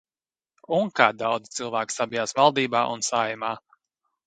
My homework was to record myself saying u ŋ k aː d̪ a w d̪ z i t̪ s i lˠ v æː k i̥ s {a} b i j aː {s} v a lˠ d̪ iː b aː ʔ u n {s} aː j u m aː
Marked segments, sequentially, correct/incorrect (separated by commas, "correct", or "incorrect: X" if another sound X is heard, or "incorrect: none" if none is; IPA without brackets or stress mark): correct, correct, correct